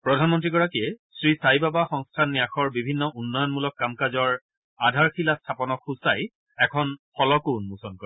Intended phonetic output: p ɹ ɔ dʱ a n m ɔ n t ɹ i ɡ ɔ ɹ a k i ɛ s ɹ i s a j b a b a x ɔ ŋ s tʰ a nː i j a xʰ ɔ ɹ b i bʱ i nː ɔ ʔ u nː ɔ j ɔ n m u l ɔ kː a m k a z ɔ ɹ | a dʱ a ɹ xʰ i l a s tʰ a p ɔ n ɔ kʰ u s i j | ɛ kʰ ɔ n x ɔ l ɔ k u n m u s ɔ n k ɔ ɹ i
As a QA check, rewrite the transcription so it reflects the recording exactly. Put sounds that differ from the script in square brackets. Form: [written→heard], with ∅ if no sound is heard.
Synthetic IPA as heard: p ɹ ɔ dʱ a n m ɔ n t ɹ i ɡ ɔ ɹ a k i ɛ s ɹ i s a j b a b a x ɔ ŋ s tʰ a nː i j a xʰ ɔ ɹ b i bʱ i nː ɔ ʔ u nː ɔ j ɔ n m u l ɔ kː a m k a z ɔ ɹ | a dʱ a ɹ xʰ i l a s tʰ a p ɔ n ɔ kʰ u s [i→a] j | ɛ kʰ ɔ n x ɔ l ɔ k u n m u s ɔ n k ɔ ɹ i

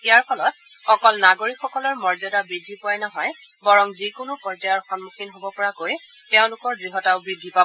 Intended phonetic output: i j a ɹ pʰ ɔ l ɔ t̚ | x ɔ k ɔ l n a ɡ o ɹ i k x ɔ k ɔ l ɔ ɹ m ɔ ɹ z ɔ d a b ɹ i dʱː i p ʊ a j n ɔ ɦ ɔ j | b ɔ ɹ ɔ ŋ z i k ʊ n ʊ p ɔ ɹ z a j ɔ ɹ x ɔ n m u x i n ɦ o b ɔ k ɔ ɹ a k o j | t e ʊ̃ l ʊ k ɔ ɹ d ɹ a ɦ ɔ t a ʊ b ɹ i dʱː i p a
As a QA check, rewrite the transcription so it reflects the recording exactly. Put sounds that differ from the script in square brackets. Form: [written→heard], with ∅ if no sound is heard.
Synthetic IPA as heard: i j a ɹ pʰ ɔ l ɔ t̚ | x ɔ k ɔ l n a ɡ o ɹ i k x ɔ k ɔ l ɔ ɹ m ɔ ɹ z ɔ d a b ɹ i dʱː i p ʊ a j n ɔ ɦ ɔ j | b ɔ ɹ ɔ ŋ z i k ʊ n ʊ p ɔ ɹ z a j ɔ ɹ x ɔ n m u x i n ɦ o b ɔ [k→p] ɔ ɹ a k o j | t e ʊ̃ l ʊ k ɔ ɹ d ɹ [a→i] ɦ ɔ t a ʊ b ɹ i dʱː i p a

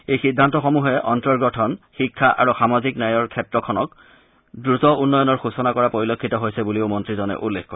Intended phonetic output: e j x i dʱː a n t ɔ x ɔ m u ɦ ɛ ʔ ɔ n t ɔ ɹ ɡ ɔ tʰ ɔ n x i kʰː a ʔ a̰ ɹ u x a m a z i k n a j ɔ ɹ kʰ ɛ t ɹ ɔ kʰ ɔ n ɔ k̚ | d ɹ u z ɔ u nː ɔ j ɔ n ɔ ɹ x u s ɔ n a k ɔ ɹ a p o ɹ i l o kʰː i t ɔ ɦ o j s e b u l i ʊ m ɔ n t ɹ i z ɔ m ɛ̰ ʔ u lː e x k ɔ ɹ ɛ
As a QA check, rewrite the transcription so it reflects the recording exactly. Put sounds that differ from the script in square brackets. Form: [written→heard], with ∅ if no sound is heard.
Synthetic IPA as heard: e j x i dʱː a n t ɔ x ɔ m u ɦ ɛ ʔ ɔ n t ɔ ɹ ɡ ɔ tʰ ɔ n x i kʰː a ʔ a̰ ɹ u x a m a z i k n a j ɔ ɹ kʰ ɛ t ɹ ɔ kʰ ɔ n ɔ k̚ | d ɹ u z ɔ u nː ɔ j ɔ n ɔ ɹ x u s ɔ n a k ɔ ɹ a p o ɹ i l o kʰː i t ɔ ɦ o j s [e→ɛ] b u l i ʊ m ɔ n t ɹ i z ɔ [m→n] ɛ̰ ʔ u lː e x k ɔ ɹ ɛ

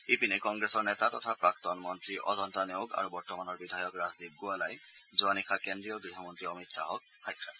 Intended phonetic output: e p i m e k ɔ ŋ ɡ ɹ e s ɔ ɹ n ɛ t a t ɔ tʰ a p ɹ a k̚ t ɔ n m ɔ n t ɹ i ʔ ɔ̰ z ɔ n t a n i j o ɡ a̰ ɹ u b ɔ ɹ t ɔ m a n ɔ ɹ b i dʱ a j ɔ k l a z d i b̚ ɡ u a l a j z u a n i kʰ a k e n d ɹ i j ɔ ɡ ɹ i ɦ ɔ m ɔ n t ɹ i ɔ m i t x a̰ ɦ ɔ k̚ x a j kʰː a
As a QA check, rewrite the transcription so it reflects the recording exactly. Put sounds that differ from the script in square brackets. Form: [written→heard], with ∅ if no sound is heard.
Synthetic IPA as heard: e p i [m→n] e k ɔ ŋ ɡ ɹ e s ɔ ɹ n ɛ t a t ɔ tʰ a p ɹ a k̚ t ɔ n m ɔ n t ɹ i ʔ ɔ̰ z ɔ n t a n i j o ɡ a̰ ɹ u b ɔ ɹ t ɔ m a n ɔ ɹ b i dʱ a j ɔ k [l→ɹ] a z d i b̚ ɡ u a l a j z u a n i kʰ a k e n d ɹ i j ɔ ɡ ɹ i ɦ ɔ m ɔ n t ɹ i ɔ m i t [x→s] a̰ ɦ ɔ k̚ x a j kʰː a

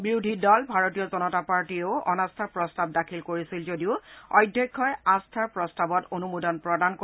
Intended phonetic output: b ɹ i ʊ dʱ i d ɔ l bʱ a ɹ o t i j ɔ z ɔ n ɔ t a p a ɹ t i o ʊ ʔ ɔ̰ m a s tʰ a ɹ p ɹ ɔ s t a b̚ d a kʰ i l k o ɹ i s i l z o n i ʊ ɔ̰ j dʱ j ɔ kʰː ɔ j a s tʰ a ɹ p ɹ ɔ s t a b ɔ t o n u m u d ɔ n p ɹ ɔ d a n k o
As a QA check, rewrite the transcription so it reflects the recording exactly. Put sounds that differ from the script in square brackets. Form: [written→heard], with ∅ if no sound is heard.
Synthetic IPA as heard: b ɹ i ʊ dʱ i d ɔ l bʱ a ɹ o t i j ɔ z ɔ n ɔ t a p a ɹ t i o ʊ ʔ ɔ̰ [m→n] a s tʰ a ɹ p ɹ ɔ s t a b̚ d a kʰ i l k o ɹ i s i l z o [n→d] i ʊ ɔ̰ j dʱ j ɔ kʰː ɔ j a s tʰ a ɹ p ɹ ɔ s t a b ɔ t o n u m u d ɔ n p ɹ ɔ d a n k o

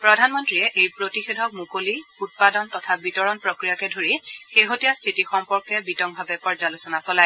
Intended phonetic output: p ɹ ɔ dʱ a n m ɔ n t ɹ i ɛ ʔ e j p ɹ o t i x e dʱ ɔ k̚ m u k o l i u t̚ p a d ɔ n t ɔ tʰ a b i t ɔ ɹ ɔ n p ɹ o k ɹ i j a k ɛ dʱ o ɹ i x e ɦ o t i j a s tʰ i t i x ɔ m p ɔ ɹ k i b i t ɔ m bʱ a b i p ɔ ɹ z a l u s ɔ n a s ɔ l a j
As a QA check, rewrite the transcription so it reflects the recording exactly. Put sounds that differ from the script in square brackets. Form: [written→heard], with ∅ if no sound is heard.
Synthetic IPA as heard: p ɹ ɔ dʱ a n m ɔ n t ɹ i ɛ ʔ e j p ɹ o t i x e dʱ ɔ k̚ m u k o l i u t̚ p a d ɔ n t ɔ tʰ a b i t ɔ ɹ ɔ n p ɹ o k ɹ i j a k ɛ dʱ o ɹ i x e ɦ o t i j a s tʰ i t i x ɔ m p ɔ ɹ k [i→ɛ] b i t ɔ [m→ŋ] bʱ a b [i→ɛ] p ɔ ɹ z a l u s ɔ n a s ɔ l a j

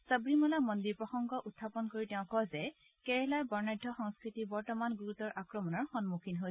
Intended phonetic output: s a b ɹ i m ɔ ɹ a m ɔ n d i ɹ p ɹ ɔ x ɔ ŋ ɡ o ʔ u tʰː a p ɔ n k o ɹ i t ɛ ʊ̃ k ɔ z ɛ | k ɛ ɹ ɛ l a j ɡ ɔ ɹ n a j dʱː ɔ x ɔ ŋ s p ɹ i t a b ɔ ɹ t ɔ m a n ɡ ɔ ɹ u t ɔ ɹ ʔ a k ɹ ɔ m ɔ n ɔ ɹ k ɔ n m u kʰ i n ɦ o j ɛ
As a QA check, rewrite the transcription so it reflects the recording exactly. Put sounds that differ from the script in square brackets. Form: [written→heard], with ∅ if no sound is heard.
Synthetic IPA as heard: s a b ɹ i m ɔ [ɹ→l] a m ɔ n d i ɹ p ɹ ɔ x ɔ ŋ ɡ [o→ɔ] ʔ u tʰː a p ɔ n k o ɹ i t ɛ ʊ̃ k ɔ z ɛ | k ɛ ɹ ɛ l a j [ɡ→b] ɔ ɹ n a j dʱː ɔ x ɔ ŋ s [p→k] ɹ i t [a→i] b ɔ ɹ t ɔ m a n ɡ [ɔ→u] ɹ u t ɔ ɹ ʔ a k ɹ ɔ m ɔ n ɔ ɹ [k→x] ɔ n m u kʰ i n ɦ o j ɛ

